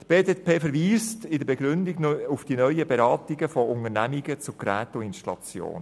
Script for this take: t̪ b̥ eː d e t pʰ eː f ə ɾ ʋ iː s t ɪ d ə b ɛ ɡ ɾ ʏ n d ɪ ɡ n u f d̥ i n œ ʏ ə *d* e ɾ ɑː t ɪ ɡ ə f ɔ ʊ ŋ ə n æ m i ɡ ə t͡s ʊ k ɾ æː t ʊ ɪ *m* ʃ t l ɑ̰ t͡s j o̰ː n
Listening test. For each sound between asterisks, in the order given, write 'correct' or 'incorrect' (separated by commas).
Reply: incorrect, incorrect